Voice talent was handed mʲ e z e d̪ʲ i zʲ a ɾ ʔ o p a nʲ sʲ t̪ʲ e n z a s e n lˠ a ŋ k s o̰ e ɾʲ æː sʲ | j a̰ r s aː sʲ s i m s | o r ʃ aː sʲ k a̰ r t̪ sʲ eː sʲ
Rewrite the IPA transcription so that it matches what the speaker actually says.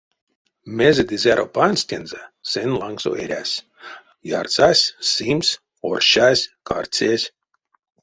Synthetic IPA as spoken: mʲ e z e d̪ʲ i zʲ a ɾ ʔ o p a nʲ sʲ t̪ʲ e n z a s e n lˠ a ŋ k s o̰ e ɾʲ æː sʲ | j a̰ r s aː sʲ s i m s | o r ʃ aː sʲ k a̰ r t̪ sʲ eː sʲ